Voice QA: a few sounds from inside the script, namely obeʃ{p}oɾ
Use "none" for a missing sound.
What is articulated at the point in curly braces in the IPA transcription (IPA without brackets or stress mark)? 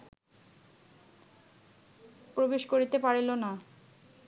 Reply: k